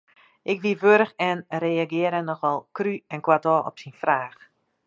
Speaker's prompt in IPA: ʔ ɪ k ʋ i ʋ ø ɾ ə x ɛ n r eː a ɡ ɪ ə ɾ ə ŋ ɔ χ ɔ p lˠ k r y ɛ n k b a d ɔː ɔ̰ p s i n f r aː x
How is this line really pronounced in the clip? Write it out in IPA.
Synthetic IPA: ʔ ɪ k ʋ i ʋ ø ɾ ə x ɛ n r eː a ɡ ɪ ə ɾ ə n ɔ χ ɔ lˠ k r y ɛ n k w a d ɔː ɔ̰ p s i n f r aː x